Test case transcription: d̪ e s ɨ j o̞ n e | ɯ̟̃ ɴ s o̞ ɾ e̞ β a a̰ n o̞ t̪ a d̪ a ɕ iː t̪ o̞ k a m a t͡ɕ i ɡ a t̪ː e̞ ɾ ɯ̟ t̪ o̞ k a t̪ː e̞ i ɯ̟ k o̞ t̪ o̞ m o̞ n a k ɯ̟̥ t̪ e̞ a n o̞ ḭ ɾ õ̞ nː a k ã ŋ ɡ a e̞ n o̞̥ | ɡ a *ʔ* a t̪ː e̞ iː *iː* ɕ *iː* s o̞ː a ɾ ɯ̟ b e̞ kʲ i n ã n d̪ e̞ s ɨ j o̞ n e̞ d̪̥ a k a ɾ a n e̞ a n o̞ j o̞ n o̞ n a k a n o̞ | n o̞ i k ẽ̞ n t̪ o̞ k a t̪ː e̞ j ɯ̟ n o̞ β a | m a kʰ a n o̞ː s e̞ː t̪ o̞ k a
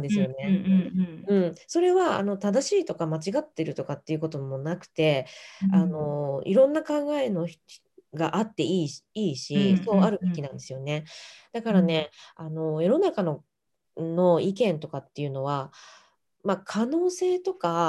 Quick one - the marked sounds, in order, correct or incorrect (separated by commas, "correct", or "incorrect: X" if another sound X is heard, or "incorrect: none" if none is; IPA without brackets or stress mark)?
correct, correct, incorrect: i